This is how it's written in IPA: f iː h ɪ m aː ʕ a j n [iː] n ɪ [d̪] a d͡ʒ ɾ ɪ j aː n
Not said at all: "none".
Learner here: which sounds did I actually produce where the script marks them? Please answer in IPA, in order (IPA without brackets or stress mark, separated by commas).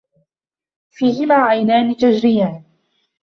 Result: aː, t̪